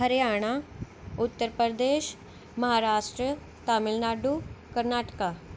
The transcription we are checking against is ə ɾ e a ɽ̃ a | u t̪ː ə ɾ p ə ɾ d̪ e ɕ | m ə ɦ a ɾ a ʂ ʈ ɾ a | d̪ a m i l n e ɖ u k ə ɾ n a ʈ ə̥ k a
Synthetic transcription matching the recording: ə ɾ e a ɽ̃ a | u t̪ː ə ɾ p ə ɾ d̪ e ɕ | m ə ɦ a ɾ a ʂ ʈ ɾ ə | t̪ a m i l n a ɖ u k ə ɾ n a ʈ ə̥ k a